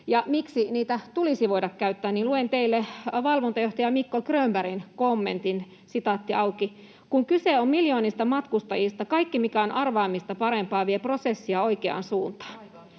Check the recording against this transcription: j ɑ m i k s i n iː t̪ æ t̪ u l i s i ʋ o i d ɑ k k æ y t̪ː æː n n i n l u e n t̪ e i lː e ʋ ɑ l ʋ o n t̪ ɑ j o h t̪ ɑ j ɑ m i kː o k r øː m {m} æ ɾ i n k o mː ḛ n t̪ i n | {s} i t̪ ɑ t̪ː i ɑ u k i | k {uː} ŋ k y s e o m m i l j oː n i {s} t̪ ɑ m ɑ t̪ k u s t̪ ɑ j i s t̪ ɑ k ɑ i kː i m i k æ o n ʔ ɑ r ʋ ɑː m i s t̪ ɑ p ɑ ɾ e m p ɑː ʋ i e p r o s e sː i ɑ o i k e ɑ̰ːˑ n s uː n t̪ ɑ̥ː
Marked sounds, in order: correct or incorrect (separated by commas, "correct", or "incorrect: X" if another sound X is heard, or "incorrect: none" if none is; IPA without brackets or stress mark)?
incorrect: b, correct, incorrect: u, correct